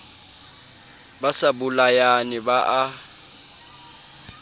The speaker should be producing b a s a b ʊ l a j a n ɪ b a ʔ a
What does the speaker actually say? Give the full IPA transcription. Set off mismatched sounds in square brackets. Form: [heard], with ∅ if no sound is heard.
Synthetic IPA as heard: b a s a b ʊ l a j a n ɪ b a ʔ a